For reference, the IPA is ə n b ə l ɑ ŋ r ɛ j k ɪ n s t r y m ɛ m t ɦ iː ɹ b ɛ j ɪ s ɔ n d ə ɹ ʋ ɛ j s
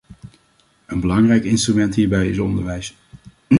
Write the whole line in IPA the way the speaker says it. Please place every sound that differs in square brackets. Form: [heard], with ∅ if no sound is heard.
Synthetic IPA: ə n b ə l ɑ ŋ r ɛ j k ɪ n s t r y m ɛ [n] t ɦ iː ɹ b ɛ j ɪ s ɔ n d ə ɹ ʋ ɛ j s

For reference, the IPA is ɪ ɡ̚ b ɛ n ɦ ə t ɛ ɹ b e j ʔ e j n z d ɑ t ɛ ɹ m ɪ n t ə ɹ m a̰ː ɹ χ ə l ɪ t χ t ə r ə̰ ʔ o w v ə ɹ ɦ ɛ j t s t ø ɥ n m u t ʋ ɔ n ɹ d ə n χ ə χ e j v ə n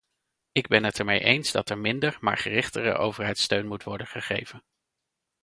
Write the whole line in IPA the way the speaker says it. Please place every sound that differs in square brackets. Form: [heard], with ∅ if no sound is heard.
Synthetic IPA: ɪ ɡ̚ b ɛ n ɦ ə t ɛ ɹ [m] e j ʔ e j n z d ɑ t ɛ ɹ m ɪ n [d] ə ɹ m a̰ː ɹ χ ə [r] ɪ [∅] χ t ə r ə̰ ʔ o w v ə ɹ ɦ ɛ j t s t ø ɥ n m u t ʋ ɔ [∅] ɹ d ə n χ ə χ e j v ə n

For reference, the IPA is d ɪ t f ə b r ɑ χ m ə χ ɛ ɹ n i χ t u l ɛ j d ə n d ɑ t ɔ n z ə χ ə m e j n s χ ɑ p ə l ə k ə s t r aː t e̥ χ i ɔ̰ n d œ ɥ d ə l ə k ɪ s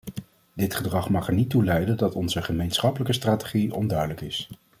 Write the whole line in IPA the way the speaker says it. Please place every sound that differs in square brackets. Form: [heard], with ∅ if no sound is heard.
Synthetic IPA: d ɪ t [χ] ə [d] r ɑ χ m [ɑ] χ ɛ ɹ n i [∅] t u l ɛ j d ə n d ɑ t ɔ n z ə χ ə m e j n s χ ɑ p ə l ə k ə s t r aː t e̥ χ i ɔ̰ n d œ ɥ d ə l ə k ɪ s

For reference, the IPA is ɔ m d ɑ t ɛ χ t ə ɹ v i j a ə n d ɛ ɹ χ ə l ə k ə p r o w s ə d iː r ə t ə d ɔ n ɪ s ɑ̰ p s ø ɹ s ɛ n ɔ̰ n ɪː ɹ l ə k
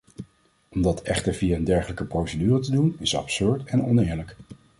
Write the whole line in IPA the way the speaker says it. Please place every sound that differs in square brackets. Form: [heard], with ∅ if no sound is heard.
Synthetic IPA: ɔ m d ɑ t ɛ χ t ə ɹ v i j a ə n d ɛ ɹ χ ə l ə k ə p r o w s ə d [yː] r ə t ə d [u] n ɪ s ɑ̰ p s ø ɹ [t] ɛ n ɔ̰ n ɪː ɹ l ə k

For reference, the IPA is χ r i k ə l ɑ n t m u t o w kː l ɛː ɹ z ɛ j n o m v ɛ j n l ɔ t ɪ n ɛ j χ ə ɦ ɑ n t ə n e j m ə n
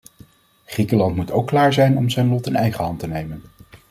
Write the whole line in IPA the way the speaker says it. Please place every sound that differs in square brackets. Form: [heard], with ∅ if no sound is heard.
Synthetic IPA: χ r i k ə l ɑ n t m u t o w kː l [aː] ɹ z ɛ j n [ɔ] m [z] ɛ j n l ɔ t ɪ n ɛ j χ ə ɦ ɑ n t ə n e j m ə n

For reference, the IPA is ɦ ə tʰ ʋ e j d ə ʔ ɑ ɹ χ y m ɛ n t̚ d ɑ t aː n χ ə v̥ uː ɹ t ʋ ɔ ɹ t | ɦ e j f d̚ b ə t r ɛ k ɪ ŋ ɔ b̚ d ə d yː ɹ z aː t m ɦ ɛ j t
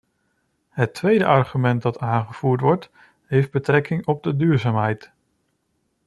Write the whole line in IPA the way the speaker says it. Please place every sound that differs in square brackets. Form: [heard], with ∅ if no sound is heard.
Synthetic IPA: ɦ ə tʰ ʋ e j d ə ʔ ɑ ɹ χ y m ɛ n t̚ d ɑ t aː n χ ə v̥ uː ɹ t ʋ ɔ ɹ t | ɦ e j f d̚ b ə t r ɛ k ɪ ŋ ɔ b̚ d ə d yː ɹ z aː [∅] m ɦ ɛ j t

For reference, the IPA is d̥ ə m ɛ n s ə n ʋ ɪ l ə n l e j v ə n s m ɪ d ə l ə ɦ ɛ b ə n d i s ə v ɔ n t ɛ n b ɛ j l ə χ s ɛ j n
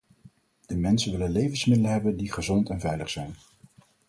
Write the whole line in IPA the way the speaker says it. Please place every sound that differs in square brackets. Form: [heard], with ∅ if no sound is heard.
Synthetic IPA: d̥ ə m ɛ n s ə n ʋ ɪ l ə n l e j v ə n s m ɪ d ə l ə ɦ ɛ b ə n d i [χ] ə [z] ɔ n t ɛ n [v] ɛ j l ə χ s ɛ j n

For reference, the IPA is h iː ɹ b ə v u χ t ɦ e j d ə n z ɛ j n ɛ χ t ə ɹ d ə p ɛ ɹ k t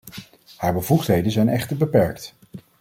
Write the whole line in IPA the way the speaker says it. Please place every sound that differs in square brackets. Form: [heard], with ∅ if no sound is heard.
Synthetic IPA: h [aː] ɹ b ə v u χ t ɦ e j d ə n z ɛ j n ɛ χ t ə ɹ [b] ə p ɛ ɹ k t

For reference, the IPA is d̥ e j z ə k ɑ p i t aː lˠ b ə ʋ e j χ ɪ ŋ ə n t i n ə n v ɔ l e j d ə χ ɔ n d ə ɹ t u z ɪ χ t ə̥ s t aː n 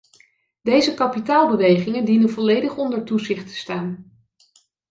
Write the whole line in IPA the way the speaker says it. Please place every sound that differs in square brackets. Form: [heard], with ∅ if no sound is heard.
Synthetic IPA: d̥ e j z ə k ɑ p i t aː lˠ b ə ʋ e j χ ɪ ŋ ə n [d] i n ə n v ɔ l e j d ə χ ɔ n d ə ɹ t u z ɪ χ t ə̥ s t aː n

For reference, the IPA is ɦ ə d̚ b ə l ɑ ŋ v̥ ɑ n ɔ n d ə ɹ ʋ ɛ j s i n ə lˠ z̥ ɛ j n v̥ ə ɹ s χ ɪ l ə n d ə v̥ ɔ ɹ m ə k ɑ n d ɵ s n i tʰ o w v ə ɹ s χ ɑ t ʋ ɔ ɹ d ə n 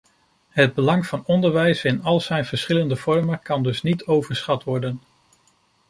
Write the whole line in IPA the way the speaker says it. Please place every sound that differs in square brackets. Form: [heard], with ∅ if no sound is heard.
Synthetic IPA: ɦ ə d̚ b ə l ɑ ŋ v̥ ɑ n ɔ n d ə ɹ ʋ ɛ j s [ɪ] n [ɑ] lˠ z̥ ɛ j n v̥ ə ɹ s χ ɪ l ə n d ə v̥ ɔ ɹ m ə k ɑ n d ɵ s n i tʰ o w v ə ɹ s χ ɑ t ʋ ɔ ɹ d ə n

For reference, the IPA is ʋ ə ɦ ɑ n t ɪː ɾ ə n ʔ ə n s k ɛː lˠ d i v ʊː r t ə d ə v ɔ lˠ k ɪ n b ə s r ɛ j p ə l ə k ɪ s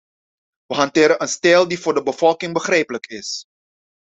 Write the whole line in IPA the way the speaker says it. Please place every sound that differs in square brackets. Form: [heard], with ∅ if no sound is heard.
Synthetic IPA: ʋ ə ɦ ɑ n t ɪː ɾ ə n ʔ ə n s [t] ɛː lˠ d i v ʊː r [d] ə [b] ə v ɔ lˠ k ɪ [ŋ] b ə [χ] r ɛ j p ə l ə k ɪ s

